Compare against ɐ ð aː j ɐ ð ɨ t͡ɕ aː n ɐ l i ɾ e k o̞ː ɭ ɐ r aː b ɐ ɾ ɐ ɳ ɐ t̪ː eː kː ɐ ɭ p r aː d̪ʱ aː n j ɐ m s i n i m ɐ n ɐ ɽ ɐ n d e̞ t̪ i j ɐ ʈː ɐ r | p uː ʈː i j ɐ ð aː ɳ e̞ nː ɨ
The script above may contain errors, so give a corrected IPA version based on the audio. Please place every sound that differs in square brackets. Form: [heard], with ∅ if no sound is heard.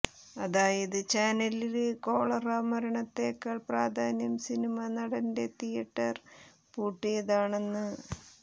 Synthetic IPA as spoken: ɐ ð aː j ɐ ð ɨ t͡ɕ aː n ɐ l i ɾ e k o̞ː ɭ ɐ r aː [m] ɐ ɾ ɐ ɳ ɐ t̪ː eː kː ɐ ɭ p r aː d̪ʱ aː n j ɐ m s i n i m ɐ n ɐ ɽ ɐ n d e̞ t̪ i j ɐ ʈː ɐ r | p uː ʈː i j ɐ ð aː ɳ e̞ nː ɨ